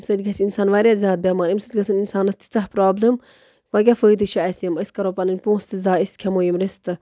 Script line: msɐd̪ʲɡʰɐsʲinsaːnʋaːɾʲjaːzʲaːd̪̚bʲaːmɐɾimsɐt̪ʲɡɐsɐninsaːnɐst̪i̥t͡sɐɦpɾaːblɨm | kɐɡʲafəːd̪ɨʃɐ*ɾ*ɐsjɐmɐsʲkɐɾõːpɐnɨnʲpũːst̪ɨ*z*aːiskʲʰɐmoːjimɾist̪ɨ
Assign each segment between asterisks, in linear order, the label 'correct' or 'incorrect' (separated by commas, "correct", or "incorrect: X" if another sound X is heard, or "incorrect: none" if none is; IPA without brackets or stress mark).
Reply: incorrect: none, correct